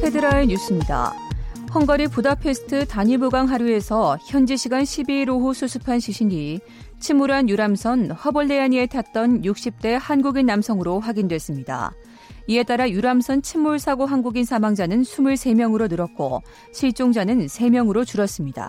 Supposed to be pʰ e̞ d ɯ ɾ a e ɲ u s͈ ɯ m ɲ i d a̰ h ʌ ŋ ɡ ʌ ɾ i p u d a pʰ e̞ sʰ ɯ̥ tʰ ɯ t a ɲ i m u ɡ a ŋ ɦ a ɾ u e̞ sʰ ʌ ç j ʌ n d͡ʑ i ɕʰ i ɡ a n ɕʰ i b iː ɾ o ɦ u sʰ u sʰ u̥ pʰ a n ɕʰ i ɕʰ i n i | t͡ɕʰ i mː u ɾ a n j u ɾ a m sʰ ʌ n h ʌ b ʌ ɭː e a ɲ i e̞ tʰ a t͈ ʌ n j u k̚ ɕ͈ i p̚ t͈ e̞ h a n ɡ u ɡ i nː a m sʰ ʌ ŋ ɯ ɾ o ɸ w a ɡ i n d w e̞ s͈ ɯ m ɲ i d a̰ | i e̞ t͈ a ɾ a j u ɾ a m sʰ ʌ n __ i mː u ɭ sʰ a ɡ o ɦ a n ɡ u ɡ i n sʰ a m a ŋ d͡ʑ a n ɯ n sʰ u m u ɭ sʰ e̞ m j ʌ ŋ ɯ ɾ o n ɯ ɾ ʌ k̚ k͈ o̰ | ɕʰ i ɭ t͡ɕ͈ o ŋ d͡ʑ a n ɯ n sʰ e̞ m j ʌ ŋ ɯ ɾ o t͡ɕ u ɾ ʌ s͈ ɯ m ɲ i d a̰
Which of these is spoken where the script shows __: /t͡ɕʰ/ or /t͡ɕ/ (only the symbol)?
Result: t͡ɕʰ